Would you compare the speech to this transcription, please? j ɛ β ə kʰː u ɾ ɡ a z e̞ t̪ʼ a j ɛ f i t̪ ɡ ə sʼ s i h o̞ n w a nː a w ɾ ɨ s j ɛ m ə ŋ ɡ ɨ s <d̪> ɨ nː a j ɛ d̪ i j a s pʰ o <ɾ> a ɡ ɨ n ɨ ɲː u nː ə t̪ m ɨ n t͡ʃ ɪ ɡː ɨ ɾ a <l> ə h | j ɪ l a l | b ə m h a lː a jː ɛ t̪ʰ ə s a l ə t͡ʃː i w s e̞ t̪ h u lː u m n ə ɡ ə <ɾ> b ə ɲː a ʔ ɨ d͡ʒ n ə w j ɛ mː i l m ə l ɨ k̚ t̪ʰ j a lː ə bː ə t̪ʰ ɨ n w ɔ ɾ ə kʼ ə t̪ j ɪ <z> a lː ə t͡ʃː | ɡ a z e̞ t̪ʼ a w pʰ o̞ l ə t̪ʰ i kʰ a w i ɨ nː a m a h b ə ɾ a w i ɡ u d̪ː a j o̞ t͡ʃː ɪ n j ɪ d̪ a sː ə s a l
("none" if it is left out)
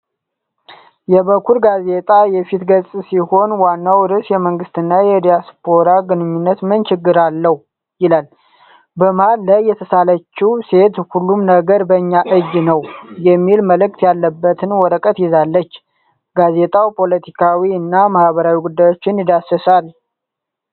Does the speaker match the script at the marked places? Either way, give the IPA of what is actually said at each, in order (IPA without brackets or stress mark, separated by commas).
t̪, ɾ, lː, ɾ, z